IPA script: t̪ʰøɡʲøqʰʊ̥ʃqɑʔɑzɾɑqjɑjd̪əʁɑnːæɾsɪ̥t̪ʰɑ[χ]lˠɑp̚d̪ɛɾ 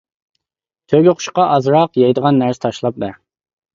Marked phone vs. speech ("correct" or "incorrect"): incorrect